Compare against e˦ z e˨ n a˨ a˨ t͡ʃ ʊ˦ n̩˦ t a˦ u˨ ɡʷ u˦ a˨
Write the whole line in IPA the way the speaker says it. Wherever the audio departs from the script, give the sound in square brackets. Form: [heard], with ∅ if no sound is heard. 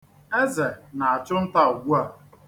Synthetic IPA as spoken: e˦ z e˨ n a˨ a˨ t͡ʃ ʊ˦ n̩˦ t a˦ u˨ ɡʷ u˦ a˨